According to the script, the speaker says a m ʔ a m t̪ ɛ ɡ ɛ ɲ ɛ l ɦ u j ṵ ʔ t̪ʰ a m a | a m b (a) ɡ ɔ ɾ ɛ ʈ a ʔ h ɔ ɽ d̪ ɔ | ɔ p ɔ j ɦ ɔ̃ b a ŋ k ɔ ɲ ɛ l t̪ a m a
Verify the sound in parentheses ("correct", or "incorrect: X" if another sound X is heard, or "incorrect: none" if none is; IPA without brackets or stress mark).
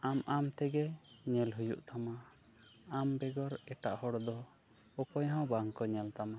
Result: incorrect: ɛ